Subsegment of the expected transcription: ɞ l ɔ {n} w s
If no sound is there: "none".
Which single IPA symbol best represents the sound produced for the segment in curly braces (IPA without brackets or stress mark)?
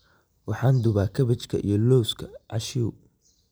none